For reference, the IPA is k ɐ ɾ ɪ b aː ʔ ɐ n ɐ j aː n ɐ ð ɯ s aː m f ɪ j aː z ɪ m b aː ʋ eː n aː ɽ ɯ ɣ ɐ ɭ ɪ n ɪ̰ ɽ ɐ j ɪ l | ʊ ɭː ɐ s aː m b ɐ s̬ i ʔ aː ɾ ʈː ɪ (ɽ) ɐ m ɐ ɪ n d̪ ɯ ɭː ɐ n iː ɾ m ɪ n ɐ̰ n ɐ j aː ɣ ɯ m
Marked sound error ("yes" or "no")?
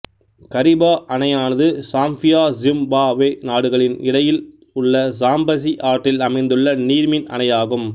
yes